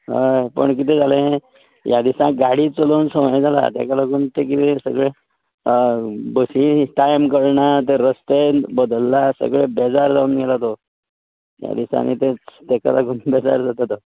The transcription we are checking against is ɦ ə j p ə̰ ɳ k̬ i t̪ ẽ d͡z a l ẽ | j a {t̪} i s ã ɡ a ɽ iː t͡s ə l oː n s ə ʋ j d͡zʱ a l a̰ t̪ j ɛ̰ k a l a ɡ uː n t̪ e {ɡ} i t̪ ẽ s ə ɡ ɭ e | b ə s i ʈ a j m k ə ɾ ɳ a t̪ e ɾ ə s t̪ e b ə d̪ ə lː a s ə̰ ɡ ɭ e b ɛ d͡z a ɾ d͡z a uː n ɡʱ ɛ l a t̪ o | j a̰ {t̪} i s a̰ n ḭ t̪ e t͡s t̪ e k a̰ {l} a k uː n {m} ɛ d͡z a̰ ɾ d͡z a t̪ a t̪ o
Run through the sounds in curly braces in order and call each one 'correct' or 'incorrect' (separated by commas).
incorrect, incorrect, incorrect, correct, incorrect